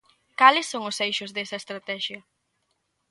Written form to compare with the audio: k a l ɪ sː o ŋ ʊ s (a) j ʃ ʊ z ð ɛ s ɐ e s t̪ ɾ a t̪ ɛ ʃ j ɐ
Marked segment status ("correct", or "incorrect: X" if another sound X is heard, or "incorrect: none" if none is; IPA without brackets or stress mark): incorrect: e